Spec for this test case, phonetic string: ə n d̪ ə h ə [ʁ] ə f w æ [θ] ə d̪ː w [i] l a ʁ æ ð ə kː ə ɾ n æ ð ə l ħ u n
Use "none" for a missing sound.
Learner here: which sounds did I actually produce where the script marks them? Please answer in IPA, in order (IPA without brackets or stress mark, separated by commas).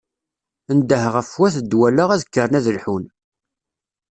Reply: ʁ, θ, æ